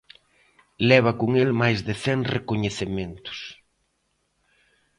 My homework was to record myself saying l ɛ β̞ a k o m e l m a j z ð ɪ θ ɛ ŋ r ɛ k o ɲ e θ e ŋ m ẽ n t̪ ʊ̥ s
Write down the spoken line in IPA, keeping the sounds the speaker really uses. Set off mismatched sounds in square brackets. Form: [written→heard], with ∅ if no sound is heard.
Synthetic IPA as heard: l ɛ β̞ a k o [m→ŋ] e l m a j z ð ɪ θ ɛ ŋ r [ɛ→e] k o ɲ e θ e [ŋ→∅] m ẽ n t̪ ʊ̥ s